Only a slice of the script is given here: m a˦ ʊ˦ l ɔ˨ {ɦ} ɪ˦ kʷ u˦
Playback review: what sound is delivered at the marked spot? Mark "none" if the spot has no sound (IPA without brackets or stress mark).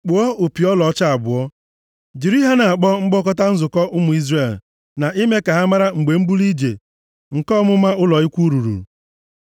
none